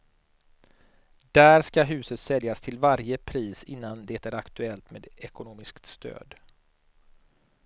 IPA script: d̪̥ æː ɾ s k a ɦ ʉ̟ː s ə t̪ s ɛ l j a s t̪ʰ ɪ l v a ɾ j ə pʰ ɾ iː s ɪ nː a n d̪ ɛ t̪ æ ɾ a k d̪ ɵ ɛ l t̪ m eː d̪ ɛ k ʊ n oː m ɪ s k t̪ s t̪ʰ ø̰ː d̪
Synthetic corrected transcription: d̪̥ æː ɾ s k a ɦ ʉ̟ː s ə t̪ s ɛ l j a s t̪ʰ ɪ l v a ɾ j ə pʰ ɾ iː s ɪ nː a n d̪ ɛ t̪ æ ɾ a k t̪ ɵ ɛ l t̪ m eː d̪ ɛ k ʊ n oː m ɪ s k t̪ s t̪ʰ ø̰ː d̪